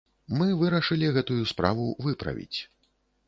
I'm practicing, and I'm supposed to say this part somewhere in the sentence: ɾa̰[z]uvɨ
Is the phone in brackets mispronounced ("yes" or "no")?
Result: yes